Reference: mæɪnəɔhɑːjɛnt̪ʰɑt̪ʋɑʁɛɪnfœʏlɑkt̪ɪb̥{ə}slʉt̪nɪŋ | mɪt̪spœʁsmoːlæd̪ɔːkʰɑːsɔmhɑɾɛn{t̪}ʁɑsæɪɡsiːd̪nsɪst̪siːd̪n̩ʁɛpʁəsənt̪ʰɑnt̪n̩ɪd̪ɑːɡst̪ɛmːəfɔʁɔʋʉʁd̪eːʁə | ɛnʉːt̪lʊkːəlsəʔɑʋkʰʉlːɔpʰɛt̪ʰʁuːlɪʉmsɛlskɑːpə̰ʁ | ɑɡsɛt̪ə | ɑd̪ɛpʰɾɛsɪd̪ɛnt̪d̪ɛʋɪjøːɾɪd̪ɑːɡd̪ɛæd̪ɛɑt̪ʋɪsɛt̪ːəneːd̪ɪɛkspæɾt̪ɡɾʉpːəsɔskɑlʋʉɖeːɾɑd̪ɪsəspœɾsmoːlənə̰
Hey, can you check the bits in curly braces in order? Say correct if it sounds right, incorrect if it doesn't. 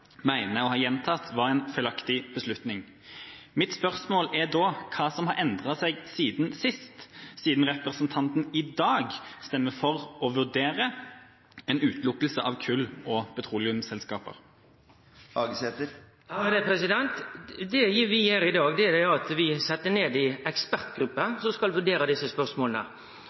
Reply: correct, incorrect

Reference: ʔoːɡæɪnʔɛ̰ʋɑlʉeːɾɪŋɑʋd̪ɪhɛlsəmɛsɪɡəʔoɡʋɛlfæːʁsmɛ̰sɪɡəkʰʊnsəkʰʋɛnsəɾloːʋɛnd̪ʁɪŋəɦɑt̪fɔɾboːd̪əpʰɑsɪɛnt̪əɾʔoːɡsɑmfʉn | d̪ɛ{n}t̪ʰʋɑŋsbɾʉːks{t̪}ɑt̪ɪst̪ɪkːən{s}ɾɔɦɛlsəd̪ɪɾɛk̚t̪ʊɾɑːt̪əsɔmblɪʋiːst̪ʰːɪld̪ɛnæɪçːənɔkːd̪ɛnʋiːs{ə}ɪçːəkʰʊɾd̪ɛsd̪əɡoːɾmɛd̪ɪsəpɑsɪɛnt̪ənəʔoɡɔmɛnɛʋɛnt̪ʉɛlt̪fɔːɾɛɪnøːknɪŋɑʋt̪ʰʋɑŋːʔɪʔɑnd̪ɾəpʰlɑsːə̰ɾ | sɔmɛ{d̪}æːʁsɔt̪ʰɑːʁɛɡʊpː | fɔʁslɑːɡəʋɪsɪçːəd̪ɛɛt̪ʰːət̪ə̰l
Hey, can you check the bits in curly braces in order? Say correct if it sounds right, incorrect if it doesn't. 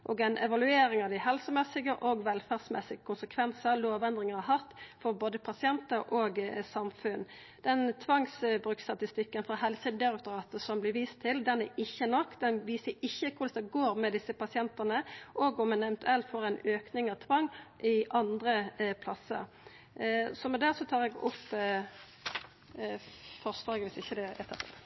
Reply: correct, correct, incorrect, correct, correct

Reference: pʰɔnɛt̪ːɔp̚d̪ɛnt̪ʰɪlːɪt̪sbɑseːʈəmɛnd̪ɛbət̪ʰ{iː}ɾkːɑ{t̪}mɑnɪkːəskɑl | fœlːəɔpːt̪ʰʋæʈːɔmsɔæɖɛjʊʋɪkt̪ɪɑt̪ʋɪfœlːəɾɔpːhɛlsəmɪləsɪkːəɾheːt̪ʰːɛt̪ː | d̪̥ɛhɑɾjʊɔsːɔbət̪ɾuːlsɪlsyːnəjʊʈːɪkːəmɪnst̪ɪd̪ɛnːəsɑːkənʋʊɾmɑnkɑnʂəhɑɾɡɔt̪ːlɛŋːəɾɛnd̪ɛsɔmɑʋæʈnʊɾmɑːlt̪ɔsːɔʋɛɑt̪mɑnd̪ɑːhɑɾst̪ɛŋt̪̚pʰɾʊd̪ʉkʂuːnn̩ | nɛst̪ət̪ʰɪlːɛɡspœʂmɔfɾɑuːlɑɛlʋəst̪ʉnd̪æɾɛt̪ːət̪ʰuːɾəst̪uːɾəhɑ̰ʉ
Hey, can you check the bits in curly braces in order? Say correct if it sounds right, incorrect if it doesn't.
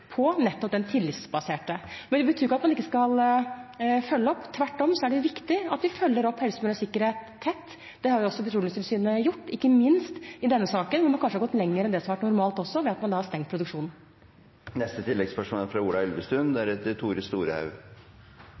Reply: incorrect, correct

